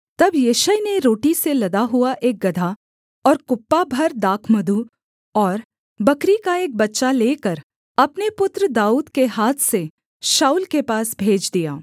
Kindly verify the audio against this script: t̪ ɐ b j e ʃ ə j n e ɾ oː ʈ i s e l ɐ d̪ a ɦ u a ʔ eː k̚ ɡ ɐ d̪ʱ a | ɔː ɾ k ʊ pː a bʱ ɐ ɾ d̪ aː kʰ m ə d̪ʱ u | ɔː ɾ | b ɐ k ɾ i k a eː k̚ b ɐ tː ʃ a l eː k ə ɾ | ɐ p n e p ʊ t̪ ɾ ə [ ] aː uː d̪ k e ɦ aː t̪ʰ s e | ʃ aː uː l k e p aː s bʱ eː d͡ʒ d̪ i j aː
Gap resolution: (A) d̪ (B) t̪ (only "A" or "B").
A